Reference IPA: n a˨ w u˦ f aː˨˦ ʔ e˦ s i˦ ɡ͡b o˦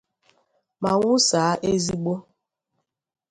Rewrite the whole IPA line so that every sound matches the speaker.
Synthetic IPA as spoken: m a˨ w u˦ s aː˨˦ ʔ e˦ z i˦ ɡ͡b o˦